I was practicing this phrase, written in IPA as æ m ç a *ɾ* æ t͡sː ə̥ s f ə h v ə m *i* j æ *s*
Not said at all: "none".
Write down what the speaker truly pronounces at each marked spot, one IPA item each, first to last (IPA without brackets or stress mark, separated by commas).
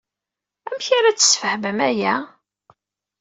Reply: ɾ, æ, none